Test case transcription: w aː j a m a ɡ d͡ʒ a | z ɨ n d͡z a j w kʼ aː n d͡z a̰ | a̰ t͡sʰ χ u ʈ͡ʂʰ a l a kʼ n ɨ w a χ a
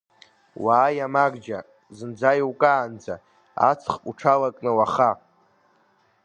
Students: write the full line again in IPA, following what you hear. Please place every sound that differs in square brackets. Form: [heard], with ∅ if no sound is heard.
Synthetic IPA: w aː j a m a ɡ d͡ʒ a | z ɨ n d͡z a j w kʼ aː n d͡z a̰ | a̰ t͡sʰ χ u ʈ͡ʂʰ a l a kʼ n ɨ w a χ a